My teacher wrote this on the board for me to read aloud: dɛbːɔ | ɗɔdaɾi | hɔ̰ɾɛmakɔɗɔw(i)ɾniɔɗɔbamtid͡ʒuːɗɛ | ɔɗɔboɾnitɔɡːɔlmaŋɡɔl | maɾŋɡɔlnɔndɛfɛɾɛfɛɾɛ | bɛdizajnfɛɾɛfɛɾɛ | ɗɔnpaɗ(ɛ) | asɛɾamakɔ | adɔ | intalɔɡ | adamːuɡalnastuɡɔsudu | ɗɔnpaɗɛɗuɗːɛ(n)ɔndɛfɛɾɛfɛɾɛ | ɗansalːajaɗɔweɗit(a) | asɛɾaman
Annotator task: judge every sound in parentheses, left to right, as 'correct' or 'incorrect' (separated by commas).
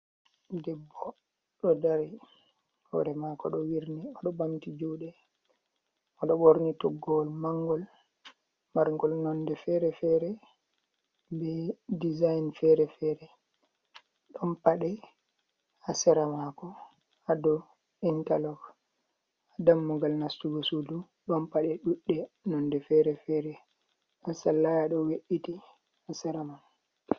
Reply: correct, correct, correct, incorrect